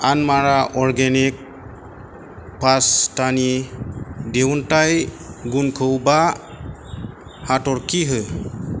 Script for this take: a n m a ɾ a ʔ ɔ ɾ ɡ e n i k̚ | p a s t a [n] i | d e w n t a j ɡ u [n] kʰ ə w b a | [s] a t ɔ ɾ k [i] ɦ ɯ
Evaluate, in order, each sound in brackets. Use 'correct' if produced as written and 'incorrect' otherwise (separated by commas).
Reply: correct, correct, incorrect, correct